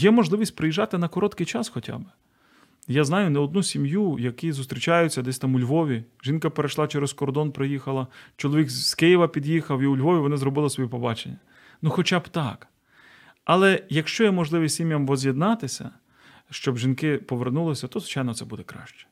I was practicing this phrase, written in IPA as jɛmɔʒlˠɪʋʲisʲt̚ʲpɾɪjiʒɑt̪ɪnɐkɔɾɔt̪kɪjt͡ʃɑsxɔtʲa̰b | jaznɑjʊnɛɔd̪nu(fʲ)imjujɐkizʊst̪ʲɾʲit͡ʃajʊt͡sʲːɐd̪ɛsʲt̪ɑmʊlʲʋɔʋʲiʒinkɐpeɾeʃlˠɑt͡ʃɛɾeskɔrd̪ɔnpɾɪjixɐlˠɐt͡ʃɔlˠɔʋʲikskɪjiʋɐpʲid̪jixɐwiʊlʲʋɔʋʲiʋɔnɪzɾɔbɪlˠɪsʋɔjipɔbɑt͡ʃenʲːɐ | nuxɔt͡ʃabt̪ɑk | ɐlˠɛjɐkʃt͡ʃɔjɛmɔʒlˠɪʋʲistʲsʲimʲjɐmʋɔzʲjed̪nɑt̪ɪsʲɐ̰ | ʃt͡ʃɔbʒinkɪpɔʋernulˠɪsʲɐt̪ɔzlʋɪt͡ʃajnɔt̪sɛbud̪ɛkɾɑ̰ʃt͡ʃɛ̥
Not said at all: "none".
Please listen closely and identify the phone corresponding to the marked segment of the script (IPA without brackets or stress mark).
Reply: sʲ